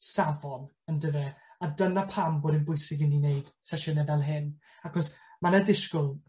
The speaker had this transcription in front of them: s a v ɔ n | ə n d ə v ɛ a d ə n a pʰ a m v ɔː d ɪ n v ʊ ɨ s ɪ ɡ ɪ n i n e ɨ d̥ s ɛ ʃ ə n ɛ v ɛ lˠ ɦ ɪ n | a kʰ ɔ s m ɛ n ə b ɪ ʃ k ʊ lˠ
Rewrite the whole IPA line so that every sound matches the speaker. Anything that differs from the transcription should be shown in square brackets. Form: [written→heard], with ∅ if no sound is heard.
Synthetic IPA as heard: s a v ɔ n | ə n d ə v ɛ a d ə n a pʰ a m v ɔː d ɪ n [v→b] ʊ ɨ s ɪ ɡ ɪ n i n e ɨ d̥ s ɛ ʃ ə n ɛ v ɛ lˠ ɦ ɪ n | a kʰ ɔ s m [ɛ→a] n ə [b→d] ɪ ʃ k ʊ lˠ